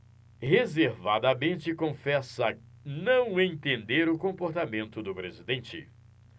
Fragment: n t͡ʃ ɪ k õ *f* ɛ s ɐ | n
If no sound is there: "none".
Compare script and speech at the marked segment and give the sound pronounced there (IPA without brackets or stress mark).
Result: f